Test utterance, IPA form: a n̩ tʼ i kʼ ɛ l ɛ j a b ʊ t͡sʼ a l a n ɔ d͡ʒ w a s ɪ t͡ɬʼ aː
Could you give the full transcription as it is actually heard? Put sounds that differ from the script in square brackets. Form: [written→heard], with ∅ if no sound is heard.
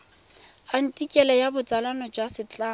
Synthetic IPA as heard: a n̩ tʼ i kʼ ɛ l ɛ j a b ʊ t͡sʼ a l a n ɔ d͡ʒ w a s ɪ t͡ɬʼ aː